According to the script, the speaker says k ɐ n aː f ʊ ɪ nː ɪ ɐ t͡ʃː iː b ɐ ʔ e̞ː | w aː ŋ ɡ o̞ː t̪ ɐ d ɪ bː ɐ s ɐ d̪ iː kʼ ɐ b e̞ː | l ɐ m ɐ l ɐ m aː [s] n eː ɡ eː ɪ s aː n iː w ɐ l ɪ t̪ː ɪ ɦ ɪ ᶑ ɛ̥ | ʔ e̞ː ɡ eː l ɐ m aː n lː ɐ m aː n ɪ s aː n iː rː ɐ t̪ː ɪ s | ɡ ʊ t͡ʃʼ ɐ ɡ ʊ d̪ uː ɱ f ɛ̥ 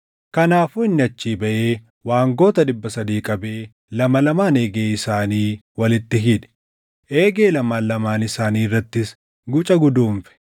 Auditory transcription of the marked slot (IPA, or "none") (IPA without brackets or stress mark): none